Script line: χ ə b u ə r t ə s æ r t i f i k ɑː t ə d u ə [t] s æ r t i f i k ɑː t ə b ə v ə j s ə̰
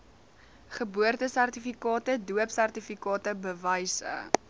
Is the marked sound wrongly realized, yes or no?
yes